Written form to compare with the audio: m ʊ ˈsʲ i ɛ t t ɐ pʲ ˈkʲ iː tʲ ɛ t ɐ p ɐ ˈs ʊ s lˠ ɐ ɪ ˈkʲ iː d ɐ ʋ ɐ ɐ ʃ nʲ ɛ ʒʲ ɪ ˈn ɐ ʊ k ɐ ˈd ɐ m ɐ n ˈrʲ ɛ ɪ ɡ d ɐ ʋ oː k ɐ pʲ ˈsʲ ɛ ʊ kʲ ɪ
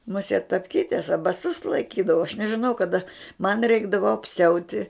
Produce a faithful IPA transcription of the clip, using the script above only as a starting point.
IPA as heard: m ʊ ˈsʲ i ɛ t t ɐ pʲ ˈkʲ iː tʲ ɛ s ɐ b ɐ ˈs ʊ s lˠ ɐ ɪ ˈkʲ iː d ɐ ʋ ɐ ɐ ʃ nʲ ɛ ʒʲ ɪ ˈn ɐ ʊ k ɐ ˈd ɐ m ɐ n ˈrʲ ɛ ɪ ɡ d ɐ ʋ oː ɐ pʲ ˈsʲ ɛ ʊ tʲ ɪ

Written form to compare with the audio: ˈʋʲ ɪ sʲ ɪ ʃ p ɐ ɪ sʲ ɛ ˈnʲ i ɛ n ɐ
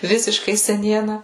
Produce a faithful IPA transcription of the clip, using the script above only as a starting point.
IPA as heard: ˈʋʲ ɪ sʲ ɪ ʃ k ɐ ɪ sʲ ɛ ˈnʲ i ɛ n ɐ

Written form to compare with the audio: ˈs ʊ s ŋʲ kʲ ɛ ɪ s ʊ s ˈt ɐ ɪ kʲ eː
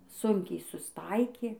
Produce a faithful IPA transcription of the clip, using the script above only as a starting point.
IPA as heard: ˈs ʊ ŋʲ kʲ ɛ ɪ s ʊ s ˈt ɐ ɪ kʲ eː

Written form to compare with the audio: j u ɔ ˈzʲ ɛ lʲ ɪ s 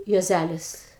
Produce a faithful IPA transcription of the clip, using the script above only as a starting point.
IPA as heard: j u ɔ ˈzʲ æ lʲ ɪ s

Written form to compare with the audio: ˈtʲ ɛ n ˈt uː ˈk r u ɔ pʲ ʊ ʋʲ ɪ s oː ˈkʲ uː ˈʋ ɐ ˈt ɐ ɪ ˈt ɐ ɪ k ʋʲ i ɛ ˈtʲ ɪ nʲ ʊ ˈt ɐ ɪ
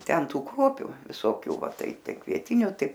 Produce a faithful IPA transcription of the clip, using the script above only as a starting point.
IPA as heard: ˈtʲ ɛ n ˈt uː ˈk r u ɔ pʲ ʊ ʋʲ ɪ s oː ˈkʲ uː ˈʋ ɐ ˈt ɐ ɪ ˈt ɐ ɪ k ʋʲ i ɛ ˈtʲ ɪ nʲ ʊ ˈt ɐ ɪ

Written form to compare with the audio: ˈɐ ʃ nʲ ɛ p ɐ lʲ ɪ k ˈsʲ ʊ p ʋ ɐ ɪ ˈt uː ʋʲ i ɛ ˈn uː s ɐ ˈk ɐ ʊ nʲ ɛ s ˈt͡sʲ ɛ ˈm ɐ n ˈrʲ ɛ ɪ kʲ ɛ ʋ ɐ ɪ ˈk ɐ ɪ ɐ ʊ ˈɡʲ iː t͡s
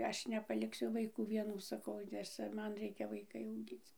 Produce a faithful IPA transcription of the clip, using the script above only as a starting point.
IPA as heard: ˈɐ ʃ nʲ ɛ p ɐ lʲ ɪ k ˈsʲ ʊ ʋ ɐ ɪ ˈk uː ʋʲ i ɛ ˈn uː s ɐ ˈk ɐ ʊ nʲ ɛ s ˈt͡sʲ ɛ ˈm ɐ n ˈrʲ ɛ ɪ kʲ ɛ ʋ ɐ ɪ ˈk ɐ ɪ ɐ ʊ ˈɡʲ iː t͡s

